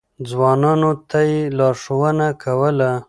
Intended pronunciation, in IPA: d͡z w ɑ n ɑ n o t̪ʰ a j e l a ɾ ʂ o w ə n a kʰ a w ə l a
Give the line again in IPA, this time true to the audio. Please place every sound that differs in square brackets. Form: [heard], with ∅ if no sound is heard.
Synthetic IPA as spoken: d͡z w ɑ n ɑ n o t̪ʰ a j e l [ɑ] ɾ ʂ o w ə n a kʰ a w ə l a